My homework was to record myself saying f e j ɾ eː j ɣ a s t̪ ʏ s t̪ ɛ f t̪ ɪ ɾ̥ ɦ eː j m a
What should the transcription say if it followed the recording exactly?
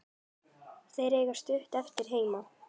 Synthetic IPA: θ e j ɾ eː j ɣ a s t̪ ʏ h t̪ ɛ f t̪ ɪ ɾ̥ ɦ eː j m a